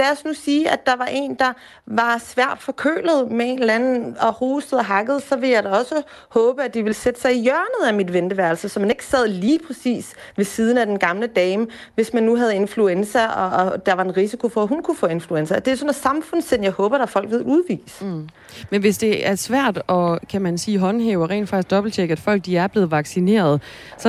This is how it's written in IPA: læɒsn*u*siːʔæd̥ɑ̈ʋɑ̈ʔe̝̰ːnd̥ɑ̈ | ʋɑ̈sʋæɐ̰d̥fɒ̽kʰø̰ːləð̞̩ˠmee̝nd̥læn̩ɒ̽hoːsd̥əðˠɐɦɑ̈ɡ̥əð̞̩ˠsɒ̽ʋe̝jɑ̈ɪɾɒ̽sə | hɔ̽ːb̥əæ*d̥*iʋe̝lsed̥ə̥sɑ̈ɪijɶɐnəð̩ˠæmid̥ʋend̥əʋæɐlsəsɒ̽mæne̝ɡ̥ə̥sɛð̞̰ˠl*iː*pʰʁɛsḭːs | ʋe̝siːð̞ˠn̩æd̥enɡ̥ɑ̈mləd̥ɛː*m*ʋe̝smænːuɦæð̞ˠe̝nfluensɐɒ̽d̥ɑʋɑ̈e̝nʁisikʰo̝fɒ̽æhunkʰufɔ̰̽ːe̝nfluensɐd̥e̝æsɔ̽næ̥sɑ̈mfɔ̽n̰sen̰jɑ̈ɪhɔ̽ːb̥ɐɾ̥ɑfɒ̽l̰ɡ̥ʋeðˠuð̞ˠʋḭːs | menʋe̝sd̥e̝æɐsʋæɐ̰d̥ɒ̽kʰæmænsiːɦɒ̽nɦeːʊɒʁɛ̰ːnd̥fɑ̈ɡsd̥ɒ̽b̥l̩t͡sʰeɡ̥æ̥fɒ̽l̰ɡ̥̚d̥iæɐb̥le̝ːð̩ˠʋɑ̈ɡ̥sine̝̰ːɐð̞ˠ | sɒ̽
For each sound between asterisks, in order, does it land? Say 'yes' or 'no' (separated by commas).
yes, yes, yes, yes